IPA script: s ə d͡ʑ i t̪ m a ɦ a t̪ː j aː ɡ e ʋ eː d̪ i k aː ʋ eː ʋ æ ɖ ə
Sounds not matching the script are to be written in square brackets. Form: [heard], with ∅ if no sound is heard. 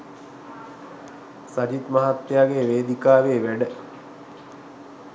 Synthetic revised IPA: s [a] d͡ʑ i t̪ m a ɦ a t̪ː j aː ɡ e ʋ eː d̪ i k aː ʋ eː ʋ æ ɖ ə